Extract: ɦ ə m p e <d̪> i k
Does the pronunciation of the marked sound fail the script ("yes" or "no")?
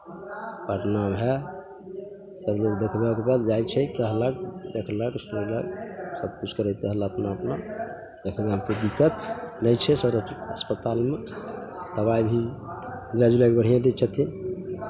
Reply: no